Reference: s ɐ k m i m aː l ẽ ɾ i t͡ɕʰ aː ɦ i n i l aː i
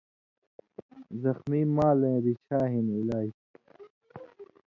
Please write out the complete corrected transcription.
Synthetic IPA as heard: z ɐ x m i m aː l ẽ ɾ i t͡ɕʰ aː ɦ i n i l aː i